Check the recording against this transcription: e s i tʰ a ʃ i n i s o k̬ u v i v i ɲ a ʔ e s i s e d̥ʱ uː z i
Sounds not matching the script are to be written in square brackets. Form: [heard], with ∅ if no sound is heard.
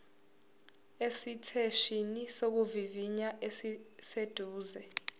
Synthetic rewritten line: e s i tʰ [e] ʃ i n i s o k̬ u v i v i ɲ a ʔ e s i s e d̥ʱ uː z [ɛ]